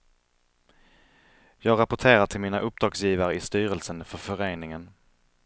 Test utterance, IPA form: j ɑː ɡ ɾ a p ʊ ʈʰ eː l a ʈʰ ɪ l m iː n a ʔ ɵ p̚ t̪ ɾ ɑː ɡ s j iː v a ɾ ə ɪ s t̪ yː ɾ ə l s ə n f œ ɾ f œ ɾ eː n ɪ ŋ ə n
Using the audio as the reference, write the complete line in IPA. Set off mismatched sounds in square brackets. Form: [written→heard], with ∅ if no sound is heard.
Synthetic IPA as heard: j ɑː ɡ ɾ a p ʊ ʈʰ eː [l→ɾ] a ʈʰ ɪ l m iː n a ʔ ɵ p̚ [t̪→d̪] ɾ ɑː ɡ s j iː v a ɾ ə ɪ s t̪ yː ɾ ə l s ə n f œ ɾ f œ ɾ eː n ɪ ŋ ə n